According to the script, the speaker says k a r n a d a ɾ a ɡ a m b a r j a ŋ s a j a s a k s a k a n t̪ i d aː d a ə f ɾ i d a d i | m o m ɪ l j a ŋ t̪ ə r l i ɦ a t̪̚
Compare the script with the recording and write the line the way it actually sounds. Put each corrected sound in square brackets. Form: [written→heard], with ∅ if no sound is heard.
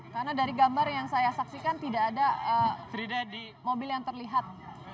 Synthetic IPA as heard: k a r n a d a ɾ [a→i] ɡ a m b a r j a ŋ s a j a s a k s [a→i] k a n t̪ i d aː d a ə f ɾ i d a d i | m o [m→b] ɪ l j a ŋ t̪ ə r l i ɦ a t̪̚